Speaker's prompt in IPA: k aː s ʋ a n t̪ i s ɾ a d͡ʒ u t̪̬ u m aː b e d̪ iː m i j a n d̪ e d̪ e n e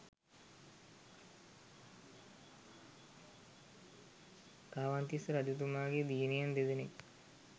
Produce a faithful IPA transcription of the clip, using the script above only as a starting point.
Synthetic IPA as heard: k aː ʋ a n t̪ i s ɾ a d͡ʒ u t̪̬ u m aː ɡ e d̪ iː n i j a n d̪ e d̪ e n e